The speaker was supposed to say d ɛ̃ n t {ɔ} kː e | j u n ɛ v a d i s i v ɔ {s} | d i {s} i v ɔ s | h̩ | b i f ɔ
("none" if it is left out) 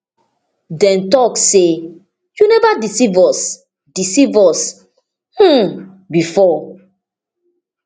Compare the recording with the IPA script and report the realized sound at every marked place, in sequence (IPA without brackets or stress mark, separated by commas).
ɔ, s, s